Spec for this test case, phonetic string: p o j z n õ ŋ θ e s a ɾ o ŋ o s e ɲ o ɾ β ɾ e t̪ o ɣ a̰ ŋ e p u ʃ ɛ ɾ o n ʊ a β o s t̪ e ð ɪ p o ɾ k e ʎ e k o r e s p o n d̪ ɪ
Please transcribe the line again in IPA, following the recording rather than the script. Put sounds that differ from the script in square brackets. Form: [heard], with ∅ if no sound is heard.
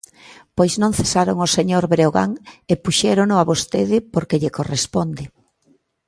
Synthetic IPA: p o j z n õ ŋ θ e s a ɾ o ŋ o s e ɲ o ɾ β ɾ e [∅] o ɣ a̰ ŋ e p u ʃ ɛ ɾ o n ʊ a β o s t̪ e ð ɪ p o ɾ k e ʎ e k o r e s p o n d̪ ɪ